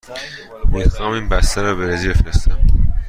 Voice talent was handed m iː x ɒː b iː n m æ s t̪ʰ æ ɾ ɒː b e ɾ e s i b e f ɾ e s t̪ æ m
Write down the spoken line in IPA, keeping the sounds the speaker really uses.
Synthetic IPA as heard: m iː x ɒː m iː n b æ s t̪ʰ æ ɾ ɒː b e ɾ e z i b e f ɾ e s t̪ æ m